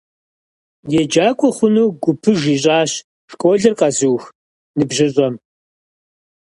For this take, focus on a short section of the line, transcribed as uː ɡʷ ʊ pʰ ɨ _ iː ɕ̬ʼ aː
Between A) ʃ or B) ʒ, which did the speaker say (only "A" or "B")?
B